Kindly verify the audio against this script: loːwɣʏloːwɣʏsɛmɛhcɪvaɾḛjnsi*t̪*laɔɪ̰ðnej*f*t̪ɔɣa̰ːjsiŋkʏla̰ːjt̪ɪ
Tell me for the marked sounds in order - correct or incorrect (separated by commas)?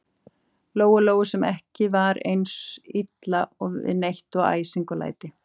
correct, incorrect